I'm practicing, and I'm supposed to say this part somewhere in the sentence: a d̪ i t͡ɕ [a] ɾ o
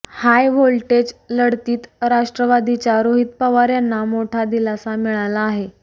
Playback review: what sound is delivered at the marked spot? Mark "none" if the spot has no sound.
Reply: a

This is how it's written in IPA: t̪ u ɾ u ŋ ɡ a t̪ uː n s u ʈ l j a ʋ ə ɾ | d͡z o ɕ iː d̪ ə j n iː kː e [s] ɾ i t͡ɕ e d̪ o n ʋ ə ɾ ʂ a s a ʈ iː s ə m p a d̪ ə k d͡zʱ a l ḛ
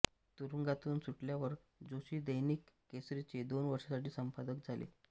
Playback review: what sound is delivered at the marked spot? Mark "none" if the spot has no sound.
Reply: s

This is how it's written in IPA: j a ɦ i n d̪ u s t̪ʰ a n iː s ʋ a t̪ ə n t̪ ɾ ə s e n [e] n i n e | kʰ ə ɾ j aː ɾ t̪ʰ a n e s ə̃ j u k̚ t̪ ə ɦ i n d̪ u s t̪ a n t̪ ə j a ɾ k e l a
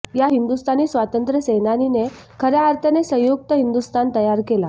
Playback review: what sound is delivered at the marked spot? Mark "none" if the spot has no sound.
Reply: a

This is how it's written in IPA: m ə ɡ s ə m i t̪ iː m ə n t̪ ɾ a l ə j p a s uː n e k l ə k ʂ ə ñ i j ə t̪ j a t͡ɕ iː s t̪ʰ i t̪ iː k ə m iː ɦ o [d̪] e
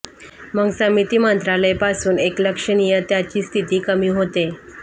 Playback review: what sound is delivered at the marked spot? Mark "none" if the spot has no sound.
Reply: t̪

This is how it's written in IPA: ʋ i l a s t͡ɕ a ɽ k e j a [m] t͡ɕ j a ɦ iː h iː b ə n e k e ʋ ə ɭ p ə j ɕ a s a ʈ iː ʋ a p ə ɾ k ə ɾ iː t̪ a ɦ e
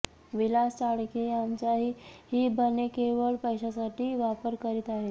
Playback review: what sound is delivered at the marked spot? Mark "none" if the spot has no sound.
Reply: m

